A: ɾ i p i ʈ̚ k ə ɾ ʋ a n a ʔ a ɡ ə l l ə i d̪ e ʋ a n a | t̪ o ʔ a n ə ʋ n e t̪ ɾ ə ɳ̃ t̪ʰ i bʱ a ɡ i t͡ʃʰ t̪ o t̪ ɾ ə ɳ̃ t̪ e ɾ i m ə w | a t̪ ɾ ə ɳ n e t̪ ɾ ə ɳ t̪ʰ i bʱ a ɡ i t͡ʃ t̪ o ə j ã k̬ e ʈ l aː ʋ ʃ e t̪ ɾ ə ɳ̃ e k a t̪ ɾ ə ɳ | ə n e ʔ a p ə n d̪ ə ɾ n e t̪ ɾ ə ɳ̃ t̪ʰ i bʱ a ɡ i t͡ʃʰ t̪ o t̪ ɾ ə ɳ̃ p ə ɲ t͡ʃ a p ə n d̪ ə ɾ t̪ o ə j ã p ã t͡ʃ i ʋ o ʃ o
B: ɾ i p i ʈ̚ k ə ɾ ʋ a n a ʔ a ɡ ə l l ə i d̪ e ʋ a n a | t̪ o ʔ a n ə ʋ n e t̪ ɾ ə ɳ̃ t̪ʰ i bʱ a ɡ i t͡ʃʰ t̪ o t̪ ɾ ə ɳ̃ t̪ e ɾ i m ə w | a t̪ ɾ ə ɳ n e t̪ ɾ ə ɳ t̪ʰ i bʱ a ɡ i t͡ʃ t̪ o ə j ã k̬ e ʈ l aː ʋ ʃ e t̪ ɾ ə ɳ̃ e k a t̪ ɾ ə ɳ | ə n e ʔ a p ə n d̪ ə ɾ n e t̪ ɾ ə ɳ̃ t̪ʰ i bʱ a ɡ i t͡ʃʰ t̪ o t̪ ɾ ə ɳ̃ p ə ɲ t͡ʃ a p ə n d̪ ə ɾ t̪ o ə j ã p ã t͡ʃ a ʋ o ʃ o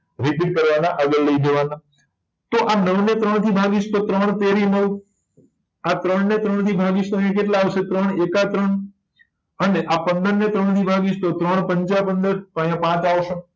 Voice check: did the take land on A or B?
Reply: B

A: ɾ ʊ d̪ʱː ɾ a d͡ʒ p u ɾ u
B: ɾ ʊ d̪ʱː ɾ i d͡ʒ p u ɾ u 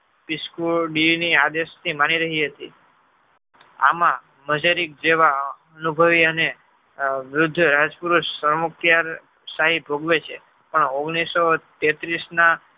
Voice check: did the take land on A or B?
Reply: A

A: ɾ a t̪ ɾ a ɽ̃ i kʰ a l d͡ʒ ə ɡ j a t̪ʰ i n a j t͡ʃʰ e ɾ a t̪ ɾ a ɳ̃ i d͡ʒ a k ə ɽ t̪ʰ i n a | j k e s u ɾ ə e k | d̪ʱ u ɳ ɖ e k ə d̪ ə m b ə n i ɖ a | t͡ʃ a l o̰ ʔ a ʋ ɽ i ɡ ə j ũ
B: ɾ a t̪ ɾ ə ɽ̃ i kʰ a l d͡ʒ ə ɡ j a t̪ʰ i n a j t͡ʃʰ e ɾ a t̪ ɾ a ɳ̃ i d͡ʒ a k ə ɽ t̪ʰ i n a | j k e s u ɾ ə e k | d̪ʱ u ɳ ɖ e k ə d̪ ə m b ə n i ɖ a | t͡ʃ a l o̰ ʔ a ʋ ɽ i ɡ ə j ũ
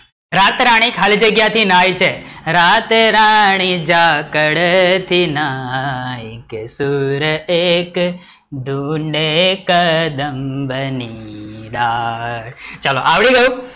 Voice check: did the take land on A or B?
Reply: A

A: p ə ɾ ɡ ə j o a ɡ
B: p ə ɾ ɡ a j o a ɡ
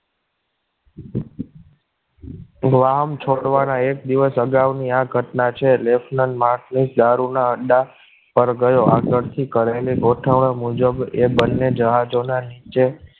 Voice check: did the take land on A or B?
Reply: A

